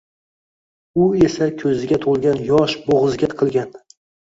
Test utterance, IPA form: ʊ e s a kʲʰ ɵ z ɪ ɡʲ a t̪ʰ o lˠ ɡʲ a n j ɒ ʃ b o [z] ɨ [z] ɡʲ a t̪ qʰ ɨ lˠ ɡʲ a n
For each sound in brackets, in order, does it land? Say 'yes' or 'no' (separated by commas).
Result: no, yes